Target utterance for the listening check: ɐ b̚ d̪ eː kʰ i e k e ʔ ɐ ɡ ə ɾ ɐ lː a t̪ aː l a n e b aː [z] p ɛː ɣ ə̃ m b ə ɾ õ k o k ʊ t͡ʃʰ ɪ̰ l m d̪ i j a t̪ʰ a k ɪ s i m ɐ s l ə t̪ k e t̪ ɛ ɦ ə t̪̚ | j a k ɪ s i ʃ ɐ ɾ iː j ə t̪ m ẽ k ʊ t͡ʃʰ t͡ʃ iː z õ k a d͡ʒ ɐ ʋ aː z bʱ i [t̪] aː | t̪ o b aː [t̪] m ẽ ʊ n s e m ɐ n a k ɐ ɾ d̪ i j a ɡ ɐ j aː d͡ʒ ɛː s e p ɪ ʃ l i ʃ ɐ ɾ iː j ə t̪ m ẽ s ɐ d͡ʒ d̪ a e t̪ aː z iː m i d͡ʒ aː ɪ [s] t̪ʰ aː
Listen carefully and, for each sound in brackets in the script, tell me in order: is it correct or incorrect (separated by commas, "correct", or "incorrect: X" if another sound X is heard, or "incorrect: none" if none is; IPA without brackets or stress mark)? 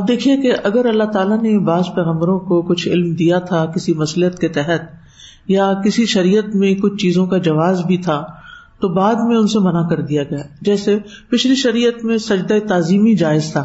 correct, incorrect: t̪ʰ, incorrect: d̪, incorrect: z